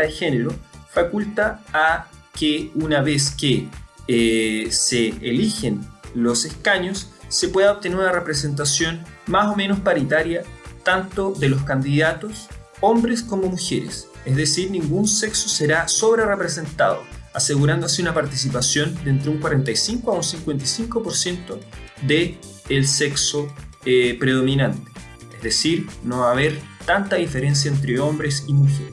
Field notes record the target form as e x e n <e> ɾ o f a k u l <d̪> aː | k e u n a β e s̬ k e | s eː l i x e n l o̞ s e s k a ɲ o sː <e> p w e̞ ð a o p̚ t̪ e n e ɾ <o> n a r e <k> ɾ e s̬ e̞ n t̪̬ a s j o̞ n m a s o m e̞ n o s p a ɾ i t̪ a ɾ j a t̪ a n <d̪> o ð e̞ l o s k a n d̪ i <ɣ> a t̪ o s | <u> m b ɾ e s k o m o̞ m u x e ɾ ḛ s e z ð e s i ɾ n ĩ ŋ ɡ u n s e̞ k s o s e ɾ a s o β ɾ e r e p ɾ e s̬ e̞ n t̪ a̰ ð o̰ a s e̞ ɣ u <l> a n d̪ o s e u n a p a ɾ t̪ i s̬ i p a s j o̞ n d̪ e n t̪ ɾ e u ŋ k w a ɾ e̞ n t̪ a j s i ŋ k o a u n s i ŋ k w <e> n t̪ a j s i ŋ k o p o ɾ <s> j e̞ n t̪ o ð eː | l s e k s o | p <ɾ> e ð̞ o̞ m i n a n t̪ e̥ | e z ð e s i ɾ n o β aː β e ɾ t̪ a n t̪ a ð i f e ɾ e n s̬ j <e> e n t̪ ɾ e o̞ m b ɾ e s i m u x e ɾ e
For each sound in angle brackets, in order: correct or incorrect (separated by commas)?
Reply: correct, incorrect, correct, incorrect, incorrect, incorrect, incorrect, incorrect, incorrect, correct, correct, correct, incorrect